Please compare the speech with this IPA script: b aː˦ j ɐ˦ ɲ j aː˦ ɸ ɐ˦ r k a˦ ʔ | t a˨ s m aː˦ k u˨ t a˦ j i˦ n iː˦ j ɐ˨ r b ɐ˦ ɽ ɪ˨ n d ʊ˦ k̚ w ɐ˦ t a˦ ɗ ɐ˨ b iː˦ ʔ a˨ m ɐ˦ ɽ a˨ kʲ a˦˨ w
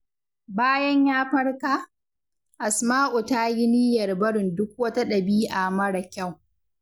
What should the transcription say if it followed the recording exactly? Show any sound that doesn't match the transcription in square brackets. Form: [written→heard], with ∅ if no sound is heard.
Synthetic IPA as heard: b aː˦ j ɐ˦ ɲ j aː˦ ɸ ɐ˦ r k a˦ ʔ | [t→ʔ] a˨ s m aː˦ [k→ʔ] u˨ t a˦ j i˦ n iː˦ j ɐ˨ r b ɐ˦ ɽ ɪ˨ n d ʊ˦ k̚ w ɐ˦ t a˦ ɗ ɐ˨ b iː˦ ʔ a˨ m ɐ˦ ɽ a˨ kʲ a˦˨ w